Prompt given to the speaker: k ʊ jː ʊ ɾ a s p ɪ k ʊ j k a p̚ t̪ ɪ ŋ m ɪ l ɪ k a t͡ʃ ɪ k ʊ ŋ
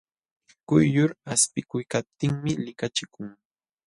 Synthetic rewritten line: k ʊ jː ʊ ɾ a s p ɪ k ʊ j k a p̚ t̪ ɪ ŋ m ɪ l ɪ k a t͡ʃ ɪ k ʊ ŋ